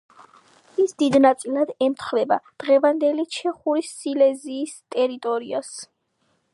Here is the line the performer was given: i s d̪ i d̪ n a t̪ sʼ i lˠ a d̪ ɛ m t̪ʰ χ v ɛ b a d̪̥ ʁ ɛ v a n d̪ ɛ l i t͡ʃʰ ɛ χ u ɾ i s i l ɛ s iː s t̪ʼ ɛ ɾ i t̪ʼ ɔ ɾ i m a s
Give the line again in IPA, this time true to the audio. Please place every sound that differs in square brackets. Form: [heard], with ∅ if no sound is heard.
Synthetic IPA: i s d̪ i d̪ n a t̪ sʼ i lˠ a d̪ ɛ m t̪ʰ χ v ɛ b a d̪̥ ʁ ɛ v a n d̪ ɛ l i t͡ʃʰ ɛ χ u ɾ i s i l ɛ [z] iː s t̪ʼ ɛ ɾ i t̪ʼ ɔ ɾ i [∅] a s

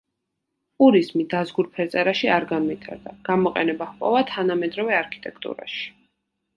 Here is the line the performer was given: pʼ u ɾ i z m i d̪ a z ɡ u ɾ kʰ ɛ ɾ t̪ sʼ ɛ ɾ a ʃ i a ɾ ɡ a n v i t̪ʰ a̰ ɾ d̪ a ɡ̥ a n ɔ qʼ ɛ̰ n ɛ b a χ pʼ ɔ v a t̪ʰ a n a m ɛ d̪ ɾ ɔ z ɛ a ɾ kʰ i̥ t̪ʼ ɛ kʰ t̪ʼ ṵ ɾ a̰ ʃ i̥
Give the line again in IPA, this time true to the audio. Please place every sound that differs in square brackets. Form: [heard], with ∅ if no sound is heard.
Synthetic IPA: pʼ u ɾ i z m i d̪ a z ɡ u ɾ [pʰ] ɛ ɾ t̪ sʼ ɛ ɾ a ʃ i a ɾ ɡ a n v i t̪ʰ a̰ ɾ d̪ a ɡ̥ a [m] ɔ qʼ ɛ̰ n ɛ b a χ pʼ ɔ v a t̪ʰ a n a m ɛ d̪ ɾ ɔ [v] ɛ a ɾ kʰ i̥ t̪ʼ ɛ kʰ t̪ʼ ṵ ɾ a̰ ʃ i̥

